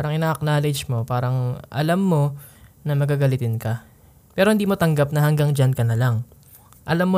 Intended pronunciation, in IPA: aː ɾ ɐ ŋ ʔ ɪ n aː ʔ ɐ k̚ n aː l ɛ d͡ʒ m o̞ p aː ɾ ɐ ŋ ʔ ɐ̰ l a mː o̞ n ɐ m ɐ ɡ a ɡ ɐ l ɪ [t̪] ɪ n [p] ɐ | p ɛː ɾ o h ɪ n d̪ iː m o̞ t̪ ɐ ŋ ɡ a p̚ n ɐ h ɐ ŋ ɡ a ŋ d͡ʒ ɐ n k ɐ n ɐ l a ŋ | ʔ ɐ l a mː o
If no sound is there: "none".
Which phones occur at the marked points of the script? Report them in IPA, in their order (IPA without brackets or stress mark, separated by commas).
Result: t̪, k